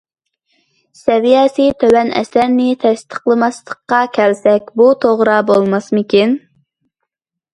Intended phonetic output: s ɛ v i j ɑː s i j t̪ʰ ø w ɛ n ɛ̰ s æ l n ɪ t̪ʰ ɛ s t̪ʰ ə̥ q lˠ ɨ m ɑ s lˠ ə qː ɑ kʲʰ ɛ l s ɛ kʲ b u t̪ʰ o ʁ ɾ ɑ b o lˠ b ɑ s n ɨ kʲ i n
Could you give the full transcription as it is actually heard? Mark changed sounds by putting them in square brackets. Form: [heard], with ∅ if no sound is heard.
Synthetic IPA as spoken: s ɛ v i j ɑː s i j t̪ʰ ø w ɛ n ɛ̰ s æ [ɾ] n ɪ t̪ʰ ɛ s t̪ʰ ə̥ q lˠ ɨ m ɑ s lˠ ə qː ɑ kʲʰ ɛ l s ɛ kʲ b u t̪ʰ o ʁ ɾ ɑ b o lˠ [m] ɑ s [m] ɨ kʲ i n